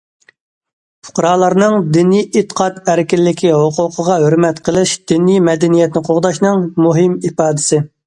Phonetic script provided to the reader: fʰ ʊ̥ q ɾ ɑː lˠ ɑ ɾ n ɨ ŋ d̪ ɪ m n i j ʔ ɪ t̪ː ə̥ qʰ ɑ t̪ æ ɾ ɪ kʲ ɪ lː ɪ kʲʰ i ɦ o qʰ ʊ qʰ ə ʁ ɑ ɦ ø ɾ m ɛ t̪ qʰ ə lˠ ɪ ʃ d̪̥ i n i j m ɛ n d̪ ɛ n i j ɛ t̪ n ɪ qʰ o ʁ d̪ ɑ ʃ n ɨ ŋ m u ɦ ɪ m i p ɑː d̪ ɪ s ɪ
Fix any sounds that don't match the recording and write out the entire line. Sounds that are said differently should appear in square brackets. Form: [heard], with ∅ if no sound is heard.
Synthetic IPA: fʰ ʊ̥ q ɾ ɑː lˠ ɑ ɾ n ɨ ŋ d̪ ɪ [∅] n i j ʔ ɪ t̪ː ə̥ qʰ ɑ t̪ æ ɾ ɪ kʲ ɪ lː ɪ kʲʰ i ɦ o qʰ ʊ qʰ ə ʁ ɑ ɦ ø ɾ m ɛ t̪ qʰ ə lˠ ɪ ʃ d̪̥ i n i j m ɛ [∅] d̪ ɛ n i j ɛ t̪ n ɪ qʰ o ʁ d̪ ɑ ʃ n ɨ ŋ m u ɦ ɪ m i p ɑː d̪ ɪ s ɪ